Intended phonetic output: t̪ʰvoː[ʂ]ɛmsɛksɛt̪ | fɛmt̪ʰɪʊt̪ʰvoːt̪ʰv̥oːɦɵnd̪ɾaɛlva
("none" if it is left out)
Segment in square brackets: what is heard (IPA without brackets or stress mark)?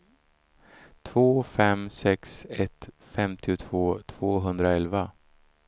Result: f